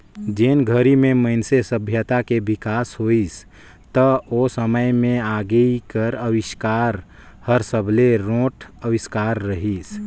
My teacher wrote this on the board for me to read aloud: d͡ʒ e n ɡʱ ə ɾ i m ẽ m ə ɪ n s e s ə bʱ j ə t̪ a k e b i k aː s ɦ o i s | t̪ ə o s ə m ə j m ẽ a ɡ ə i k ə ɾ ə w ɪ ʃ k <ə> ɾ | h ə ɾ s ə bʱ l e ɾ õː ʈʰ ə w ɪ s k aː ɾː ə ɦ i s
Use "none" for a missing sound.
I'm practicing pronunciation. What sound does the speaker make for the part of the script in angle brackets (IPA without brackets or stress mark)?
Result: a